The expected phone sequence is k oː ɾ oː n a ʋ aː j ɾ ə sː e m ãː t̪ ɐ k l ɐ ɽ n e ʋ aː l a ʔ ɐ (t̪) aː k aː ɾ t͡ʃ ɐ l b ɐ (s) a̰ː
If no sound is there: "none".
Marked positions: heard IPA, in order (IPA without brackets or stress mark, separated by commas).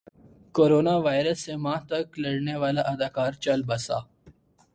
d̪, s